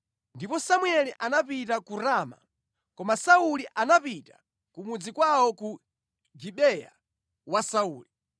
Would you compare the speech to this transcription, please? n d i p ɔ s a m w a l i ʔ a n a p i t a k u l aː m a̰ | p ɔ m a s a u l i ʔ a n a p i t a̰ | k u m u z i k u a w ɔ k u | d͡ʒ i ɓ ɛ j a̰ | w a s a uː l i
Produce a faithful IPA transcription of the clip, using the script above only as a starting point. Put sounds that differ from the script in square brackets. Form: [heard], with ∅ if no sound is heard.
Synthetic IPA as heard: n d i p ɔ s a m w [ɛ] l i ʔ a n a p i t a k u [ɾ] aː m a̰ | [k] ɔ m a s a u l i ʔ a n a p i t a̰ | k u m u [d͡z] i k [w] a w ɔ k u | d͡ʒ i ɓ ɛ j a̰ | w a s a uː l i